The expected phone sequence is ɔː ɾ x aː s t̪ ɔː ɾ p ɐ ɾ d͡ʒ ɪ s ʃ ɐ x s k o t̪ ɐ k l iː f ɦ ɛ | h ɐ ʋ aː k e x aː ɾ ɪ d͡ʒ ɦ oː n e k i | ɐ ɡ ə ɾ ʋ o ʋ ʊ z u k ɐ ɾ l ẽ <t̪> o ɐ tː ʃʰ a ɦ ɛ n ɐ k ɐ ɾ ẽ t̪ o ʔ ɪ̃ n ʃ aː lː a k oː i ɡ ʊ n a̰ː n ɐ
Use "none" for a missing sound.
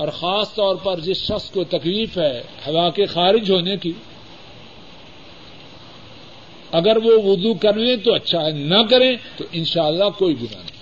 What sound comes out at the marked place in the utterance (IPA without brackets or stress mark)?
t̪